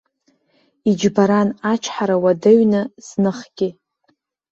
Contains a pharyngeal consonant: yes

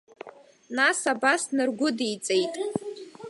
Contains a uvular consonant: no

